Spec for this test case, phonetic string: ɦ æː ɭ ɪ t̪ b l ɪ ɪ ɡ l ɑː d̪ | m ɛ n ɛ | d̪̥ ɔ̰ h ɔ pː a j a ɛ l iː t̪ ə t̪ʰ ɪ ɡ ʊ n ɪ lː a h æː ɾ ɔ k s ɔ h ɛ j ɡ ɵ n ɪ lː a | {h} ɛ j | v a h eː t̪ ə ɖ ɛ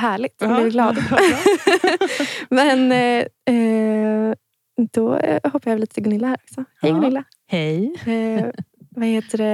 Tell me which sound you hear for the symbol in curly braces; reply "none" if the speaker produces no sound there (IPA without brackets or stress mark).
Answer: h